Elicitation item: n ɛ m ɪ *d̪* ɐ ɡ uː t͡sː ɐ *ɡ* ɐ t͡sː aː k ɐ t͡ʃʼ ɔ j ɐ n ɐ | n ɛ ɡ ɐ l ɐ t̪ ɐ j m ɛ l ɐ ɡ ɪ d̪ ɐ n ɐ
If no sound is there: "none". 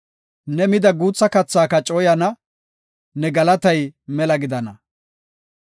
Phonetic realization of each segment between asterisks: d̪, k

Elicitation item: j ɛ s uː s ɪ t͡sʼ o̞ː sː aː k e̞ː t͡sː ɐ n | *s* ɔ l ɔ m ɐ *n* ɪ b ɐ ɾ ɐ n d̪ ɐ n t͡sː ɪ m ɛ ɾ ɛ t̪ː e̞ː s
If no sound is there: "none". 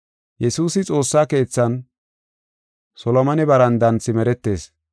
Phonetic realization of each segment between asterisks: s, n

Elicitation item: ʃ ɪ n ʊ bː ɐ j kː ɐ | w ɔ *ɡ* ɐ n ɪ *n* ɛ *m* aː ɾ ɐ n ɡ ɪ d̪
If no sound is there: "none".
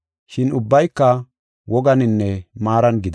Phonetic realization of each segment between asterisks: ɡ, nː, m

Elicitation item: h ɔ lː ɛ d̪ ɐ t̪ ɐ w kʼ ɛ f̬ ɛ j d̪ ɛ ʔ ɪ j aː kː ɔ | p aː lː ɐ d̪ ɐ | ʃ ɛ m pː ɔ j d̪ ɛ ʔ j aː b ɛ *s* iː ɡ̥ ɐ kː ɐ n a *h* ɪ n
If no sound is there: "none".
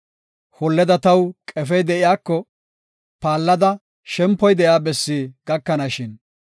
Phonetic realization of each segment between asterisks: sː, ʃ

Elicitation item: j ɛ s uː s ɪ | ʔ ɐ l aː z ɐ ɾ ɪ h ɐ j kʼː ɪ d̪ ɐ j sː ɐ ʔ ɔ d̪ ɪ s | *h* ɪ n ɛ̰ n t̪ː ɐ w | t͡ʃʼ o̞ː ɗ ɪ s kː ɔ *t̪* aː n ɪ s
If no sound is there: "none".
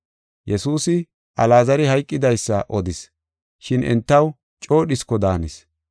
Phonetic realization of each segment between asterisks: ʃ, d̪

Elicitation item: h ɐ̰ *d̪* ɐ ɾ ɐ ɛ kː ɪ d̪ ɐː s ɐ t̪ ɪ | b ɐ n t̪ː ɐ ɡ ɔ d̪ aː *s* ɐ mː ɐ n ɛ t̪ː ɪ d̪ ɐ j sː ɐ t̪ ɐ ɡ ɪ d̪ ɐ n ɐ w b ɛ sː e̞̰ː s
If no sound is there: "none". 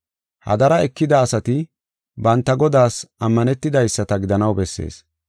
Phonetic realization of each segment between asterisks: d̪, s

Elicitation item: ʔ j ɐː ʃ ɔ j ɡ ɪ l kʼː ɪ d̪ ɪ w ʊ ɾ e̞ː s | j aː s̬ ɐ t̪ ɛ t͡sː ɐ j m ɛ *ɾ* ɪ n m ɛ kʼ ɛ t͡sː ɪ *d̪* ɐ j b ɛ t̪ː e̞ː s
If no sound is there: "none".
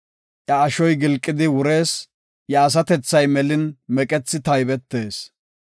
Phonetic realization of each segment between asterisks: l, t̪

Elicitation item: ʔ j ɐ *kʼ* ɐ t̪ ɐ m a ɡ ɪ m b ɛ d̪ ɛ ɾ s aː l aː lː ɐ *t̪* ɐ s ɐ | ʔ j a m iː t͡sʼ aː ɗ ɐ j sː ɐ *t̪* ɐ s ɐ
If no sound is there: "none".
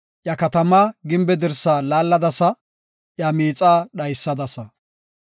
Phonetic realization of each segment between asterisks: k, d̪, d̪

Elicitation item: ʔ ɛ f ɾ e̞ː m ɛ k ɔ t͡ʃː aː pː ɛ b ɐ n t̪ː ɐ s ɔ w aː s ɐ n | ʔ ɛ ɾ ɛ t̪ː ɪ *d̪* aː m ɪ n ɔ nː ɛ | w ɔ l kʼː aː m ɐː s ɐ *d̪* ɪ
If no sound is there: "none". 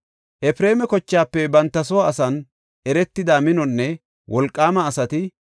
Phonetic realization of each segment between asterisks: d̪, t̪

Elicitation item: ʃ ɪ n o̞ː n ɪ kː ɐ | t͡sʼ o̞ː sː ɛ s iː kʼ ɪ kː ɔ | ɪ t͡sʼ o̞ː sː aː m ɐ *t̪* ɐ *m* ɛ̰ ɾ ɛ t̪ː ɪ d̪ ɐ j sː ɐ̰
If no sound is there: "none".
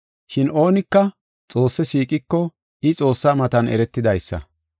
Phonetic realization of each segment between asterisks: t̪, n

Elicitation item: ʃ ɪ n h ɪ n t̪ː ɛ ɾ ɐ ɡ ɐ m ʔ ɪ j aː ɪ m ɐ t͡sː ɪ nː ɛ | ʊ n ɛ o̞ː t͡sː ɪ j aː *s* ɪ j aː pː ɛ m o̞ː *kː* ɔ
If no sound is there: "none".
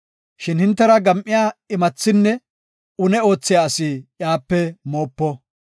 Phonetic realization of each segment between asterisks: s, pː

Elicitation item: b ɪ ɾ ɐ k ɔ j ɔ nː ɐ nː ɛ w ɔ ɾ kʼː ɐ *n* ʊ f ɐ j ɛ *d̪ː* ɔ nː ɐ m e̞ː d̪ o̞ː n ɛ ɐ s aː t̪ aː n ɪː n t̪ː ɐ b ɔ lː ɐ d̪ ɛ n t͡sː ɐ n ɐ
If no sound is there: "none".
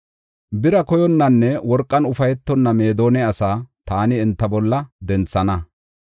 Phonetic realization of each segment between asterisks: n, t̪ː

